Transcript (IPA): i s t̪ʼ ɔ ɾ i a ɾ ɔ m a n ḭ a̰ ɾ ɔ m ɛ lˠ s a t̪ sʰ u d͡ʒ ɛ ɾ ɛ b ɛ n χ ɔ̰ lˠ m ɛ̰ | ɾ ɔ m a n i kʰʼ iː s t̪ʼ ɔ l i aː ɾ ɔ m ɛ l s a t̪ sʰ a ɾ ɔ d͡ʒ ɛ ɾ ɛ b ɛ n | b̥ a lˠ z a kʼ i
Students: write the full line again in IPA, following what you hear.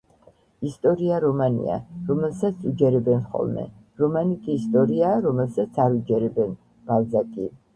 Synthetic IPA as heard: i s t̪ʼ ɔ ɾ i a ɾ ɔ m a n ḭ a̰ ɾ ɔ m ɛ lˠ s a t̪ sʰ u d͡ʒ ɛ ɾ ɛ b ɛ n χ ɔ̰ lˠ m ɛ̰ | ɾ ɔ m a n i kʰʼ iː s t̪ʼ ɔ ɾ i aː ɾ ɔ m ɛ l s a t̪ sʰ a ɾ u d͡ʒ ɛ ɾ ɛ b ɛ n | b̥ a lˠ z a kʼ i